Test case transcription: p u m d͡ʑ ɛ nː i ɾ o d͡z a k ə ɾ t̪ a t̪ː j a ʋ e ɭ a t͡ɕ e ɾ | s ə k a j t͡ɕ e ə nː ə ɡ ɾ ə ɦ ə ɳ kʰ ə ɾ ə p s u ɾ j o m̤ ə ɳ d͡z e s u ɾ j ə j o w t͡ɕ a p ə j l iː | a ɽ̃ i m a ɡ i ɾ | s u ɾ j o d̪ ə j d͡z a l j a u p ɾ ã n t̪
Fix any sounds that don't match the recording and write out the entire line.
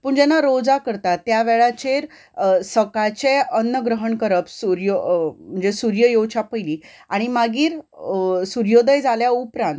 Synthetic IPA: p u ɳ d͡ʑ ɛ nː a ɾ o d͡z a k ə ɾ t̪ a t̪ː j a ʋ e ɭ a t͡ɕ e ɾ | s ə k a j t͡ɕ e ə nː ə ɡ ɾ ə ɦ ə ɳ k ə ɾ ə p s u ɾ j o m̤ ə ɳ d͡z e s u ɾ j ə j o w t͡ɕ a p ə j l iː | a ɽ̃ i m a ɡ iː ɾ | s u ɾ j o d̪ ə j d͡z a l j a u p ɾ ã n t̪